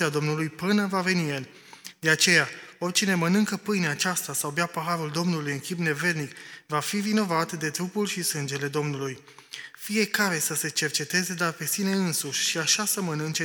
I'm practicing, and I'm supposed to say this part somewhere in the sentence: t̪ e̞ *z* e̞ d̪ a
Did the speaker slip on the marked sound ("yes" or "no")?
no